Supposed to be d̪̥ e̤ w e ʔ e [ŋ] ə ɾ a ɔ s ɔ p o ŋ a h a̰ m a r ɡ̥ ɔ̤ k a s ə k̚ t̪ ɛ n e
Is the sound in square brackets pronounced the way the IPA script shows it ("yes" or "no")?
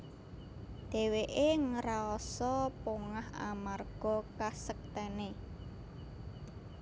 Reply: yes